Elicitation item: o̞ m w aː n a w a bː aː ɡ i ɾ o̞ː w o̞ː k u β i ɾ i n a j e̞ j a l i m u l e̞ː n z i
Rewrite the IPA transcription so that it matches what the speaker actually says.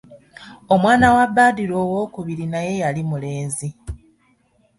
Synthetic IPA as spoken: o̞ m w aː n a w a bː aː d i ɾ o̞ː w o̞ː k u β i ɾ i n a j e̞ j a l i m u l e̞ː n z i